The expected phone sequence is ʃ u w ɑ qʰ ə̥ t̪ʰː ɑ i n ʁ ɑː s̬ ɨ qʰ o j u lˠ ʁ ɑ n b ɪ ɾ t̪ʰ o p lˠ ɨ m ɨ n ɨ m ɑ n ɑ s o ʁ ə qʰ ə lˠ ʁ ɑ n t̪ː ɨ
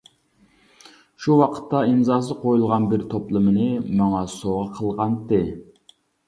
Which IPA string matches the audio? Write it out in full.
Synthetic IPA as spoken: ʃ u w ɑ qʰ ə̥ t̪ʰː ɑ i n z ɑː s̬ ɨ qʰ o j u lˠ ʁ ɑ n b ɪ ɾ t̪ʰ o p lˠ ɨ m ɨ n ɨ m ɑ ŋ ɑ s o ʁ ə qʰ ə lˠ ʁ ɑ n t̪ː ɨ